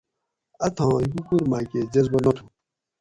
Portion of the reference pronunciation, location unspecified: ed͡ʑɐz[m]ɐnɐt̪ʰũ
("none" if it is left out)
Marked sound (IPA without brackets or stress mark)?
b